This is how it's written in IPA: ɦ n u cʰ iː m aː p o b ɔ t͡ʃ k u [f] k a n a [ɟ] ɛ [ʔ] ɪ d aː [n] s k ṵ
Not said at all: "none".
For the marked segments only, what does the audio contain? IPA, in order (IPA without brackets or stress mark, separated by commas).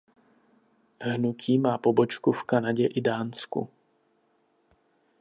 f, ɟ, ʔ, n